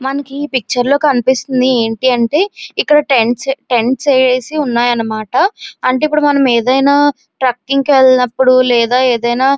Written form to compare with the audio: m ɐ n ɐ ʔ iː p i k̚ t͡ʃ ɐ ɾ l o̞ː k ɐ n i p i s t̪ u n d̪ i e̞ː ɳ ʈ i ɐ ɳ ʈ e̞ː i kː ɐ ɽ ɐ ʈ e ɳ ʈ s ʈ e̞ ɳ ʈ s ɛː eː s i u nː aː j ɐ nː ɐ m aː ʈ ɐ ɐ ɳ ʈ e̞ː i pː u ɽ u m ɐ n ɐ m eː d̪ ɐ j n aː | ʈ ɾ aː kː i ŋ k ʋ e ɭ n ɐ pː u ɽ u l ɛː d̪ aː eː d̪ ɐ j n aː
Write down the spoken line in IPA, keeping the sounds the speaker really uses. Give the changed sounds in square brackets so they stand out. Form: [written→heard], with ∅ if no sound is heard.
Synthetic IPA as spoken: m ɐ n ɐ [ʔ→k] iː p i k̚ t͡ʃ ɐ ɾ l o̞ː k ɐ n i p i s t̪ u n d̪ i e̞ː ɳ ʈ i ɐ ɳ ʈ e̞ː i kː ɐ ɽ ɐ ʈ e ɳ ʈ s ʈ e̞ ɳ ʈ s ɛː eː s i u nː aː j ɐ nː ɐ m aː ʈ ɐ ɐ ɳ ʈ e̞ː i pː u ɽ u m ɐ n ɐ m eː d̪ ɐ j n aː | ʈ ɾ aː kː i ŋ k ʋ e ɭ n ɐ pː u ɽ u l ɛː d̪ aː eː d̪ ɐ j n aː